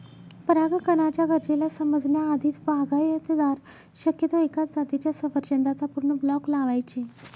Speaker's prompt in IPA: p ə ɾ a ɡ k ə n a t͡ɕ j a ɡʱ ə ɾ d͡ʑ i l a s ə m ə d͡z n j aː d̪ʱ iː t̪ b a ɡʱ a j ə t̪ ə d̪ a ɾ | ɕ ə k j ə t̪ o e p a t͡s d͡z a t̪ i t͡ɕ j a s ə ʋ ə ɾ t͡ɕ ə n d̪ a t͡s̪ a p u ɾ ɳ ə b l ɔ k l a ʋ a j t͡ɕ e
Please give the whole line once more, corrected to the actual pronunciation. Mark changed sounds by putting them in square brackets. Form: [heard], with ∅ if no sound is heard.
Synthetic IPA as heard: p ə ɾ a ɡ k ə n a t͡ɕ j a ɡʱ ə ɾ d͡ʑ [e] l a s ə m ə d͡z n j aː d̪ʱ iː t̪ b a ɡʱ a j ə t̪ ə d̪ a ɾ | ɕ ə k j ə t̪ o e [k] a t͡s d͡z a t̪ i t͡ɕ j a s ə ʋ ə ɾ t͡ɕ ə n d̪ a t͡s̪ a p u ɾ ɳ ə b l ɔ k l a ʋ a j t͡ɕ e